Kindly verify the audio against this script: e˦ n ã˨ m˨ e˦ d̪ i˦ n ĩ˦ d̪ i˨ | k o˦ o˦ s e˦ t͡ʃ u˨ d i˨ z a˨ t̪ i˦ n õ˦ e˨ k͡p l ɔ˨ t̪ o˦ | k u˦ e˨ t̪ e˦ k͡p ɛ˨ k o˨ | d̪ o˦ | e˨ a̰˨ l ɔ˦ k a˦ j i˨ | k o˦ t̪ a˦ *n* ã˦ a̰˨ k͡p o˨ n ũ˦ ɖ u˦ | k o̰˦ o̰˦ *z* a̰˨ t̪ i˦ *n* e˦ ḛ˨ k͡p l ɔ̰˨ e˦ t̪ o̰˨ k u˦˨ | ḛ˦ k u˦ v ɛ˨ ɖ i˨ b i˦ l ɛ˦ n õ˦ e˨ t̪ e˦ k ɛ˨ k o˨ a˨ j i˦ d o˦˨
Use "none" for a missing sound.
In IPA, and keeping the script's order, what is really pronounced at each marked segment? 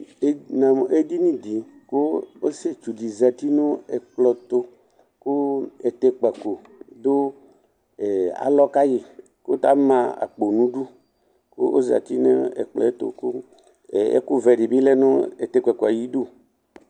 m, z, n

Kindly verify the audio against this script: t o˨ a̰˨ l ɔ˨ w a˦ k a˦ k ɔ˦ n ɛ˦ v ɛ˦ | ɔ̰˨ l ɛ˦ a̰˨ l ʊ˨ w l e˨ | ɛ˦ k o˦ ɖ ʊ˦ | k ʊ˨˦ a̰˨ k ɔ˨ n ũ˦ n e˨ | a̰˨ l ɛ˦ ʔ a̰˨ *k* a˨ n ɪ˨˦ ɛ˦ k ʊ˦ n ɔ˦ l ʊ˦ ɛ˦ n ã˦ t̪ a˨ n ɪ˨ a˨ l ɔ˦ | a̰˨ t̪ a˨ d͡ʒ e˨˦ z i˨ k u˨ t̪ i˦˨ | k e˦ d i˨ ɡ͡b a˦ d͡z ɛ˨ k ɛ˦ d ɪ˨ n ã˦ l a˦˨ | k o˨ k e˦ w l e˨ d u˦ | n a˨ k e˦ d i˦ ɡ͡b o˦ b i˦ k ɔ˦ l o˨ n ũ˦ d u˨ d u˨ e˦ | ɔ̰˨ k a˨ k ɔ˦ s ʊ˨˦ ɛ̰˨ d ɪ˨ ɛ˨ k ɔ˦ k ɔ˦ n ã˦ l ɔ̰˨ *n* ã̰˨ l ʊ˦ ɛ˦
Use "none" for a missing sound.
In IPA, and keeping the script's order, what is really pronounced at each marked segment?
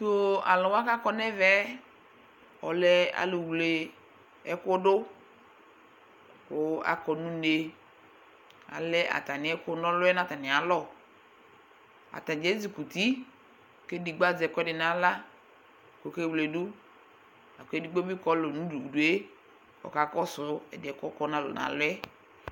t, n

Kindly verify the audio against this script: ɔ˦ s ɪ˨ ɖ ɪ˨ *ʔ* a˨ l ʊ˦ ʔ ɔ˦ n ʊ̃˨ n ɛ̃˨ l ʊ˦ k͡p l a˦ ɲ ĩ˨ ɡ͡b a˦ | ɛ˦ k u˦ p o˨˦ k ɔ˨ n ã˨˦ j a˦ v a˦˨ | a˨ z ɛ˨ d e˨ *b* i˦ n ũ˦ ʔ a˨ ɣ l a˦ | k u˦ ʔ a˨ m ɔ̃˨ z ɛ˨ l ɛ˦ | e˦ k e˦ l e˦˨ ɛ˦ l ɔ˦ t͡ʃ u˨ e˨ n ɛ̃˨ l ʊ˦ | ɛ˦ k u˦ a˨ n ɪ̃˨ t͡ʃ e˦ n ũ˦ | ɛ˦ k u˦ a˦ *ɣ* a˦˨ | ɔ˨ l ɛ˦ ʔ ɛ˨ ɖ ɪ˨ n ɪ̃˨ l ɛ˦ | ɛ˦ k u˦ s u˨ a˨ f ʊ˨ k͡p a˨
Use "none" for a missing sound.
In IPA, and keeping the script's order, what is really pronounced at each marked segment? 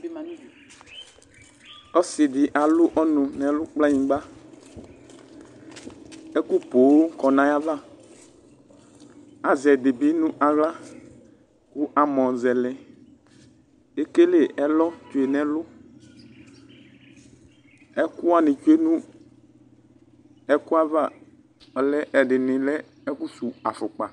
ʔ, b, v

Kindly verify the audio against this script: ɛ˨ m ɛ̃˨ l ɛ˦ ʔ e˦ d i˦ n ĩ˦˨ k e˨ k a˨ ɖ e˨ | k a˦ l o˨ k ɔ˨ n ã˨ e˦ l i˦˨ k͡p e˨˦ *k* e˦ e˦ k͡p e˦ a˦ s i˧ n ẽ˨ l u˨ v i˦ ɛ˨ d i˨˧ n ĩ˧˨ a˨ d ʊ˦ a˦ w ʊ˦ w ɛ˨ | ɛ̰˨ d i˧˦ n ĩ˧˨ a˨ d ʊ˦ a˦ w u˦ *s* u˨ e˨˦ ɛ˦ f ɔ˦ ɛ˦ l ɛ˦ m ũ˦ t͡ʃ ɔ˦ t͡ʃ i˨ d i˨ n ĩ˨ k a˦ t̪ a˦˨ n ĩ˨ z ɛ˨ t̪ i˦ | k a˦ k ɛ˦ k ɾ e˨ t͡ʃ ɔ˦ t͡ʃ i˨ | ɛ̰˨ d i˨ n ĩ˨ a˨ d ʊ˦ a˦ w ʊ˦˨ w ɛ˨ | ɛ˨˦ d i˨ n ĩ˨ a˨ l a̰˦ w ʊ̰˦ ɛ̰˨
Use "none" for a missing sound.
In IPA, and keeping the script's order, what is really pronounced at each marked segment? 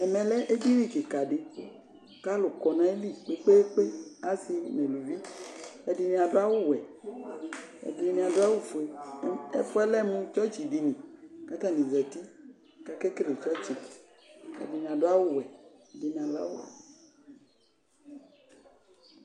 k͡p, f

